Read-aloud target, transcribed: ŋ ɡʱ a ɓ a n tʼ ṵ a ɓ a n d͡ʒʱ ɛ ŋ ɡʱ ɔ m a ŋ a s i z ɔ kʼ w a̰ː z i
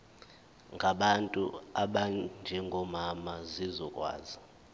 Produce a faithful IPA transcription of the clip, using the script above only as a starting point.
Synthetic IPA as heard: ŋ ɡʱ a ɓ a n tʼ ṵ a ɓ a n d͡ʒʱ ɛ ŋ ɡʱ ɔ m a m a z i z ɔ kʼ w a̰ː z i